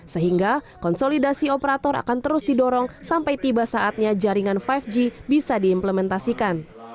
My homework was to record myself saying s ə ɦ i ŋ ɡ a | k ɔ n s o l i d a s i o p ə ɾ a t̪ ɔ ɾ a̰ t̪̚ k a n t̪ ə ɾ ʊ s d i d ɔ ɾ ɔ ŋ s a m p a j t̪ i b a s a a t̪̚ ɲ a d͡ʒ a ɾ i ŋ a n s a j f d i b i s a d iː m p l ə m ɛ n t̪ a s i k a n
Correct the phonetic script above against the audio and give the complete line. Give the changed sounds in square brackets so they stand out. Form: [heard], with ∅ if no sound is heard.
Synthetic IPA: s ə ɦ i ŋ ɡ a | k ɔ n s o l i d a s i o p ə ɾ a t̪ ɔ ɾ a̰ [∅] k a n t̪ ə ɾ ʊ s d i d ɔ ɾ ɔ ŋ s a m p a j t̪ i b a s a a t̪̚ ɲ a d͡ʒ a ɾ i ŋ a n [f] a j f [d͡ʒ] i b i s a d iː m p l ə m ɛ n t̪ a s i k a n

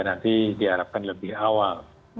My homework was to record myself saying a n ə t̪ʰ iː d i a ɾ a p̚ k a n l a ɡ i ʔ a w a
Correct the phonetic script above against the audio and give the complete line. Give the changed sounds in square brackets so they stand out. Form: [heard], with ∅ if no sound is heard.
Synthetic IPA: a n [a] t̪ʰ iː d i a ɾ a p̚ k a n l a [b] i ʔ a w a

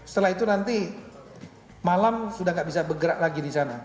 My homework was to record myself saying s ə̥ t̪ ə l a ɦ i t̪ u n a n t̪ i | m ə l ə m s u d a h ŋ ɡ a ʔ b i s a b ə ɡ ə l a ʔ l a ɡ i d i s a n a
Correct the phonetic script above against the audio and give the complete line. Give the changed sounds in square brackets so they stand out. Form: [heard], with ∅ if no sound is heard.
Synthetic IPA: s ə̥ t̪ ə l a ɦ i t̪ u n a n t̪ i | m [a] l [a] m s u d a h ŋ ɡ a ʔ b i s a b ə ɡ ə [ɾ] a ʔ l a ɡ i d i s a n a

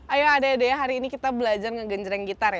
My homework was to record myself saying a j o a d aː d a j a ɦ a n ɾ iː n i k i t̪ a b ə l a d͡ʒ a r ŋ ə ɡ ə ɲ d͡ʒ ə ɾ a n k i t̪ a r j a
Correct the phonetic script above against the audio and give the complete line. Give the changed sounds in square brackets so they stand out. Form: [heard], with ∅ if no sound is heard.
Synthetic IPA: a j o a d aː d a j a ɦ a [∅] ɾ iː n i k i t̪ a b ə l a d͡ʒ a r ŋ ə ɡ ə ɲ d͡ʒ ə ɾ a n [ɡ] i t̪ a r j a

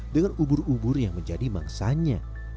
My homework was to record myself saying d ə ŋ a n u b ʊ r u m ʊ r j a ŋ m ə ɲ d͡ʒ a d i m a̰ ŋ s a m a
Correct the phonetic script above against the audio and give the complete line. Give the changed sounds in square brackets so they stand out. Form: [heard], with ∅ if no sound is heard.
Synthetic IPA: d ə ŋ a n u b ʊ r u [b] ʊ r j a ŋ m ə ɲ d͡ʒ a d i m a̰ ŋ s a [ɲ] a

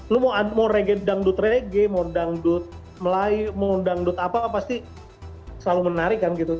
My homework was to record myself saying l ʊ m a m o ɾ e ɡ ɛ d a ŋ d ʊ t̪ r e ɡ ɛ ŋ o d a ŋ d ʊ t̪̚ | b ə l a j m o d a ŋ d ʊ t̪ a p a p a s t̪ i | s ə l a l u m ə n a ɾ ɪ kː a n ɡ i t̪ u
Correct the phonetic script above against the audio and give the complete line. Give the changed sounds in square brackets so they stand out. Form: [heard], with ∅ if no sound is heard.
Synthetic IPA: l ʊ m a m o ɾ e ɡ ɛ d a ŋ d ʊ t̪ r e ɡ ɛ [m] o d a ŋ d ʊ t̪̚ | [m] ə l a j m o d a ŋ d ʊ t̪ a p a p a s t̪ i | s ə l a l u m ə n a ɾ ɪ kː a n ɡ i t̪ u

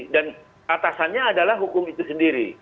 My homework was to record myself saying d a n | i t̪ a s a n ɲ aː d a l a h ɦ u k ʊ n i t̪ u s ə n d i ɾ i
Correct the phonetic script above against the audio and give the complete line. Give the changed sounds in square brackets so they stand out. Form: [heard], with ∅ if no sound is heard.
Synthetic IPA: d a n | [a] t̪ a s a n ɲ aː d a l a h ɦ u k ʊ [m] i t̪ u s ə n d i ɾ i

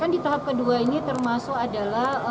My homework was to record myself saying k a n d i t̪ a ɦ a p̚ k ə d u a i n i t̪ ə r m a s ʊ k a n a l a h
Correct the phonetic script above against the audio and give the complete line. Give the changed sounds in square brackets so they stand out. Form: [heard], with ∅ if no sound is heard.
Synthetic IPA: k a n d i t̪ a ɦ a p̚ k ə d u a i n i t̪ ə r m a s ʊ k a [d] a l a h

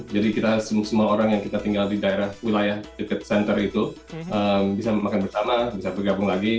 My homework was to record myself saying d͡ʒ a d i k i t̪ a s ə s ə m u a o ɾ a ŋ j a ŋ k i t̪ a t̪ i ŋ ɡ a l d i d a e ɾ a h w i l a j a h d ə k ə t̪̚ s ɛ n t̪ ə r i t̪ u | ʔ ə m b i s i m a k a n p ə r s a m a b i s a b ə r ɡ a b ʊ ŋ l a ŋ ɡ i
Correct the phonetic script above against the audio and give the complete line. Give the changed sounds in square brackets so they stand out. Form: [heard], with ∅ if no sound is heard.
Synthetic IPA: d͡ʒ a d i k i t̪ a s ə s ə m u a o ɾ a ŋ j a ŋ k i t̪ a t̪ i ŋ ɡ a l d i d a e ɾ a h w i l a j a h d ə k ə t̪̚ s ɛ n t̪ ə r i t̪ u | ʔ ə m b i s [a] m a k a n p ə r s a m a b i s a b ə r ɡ a b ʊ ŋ l a [∅] ɡ i

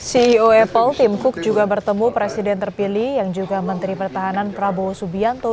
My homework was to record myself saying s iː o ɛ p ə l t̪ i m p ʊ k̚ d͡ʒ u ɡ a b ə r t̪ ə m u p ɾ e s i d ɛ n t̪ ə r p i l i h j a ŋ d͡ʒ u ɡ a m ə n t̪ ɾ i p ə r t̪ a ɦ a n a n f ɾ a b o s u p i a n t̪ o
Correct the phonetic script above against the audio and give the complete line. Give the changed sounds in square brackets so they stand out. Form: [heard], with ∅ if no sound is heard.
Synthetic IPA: s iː o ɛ p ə l t̪ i m [k] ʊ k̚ d͡ʒ u ɡ a b ə r t̪ ə m u p ɾ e s i d ɛ n t̪ ə r p i l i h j a ŋ d͡ʒ u ɡ a m ə n t̪ ɾ i p ə r t̪ a ɦ a n a n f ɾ a b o s u [b] i a n t̪ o

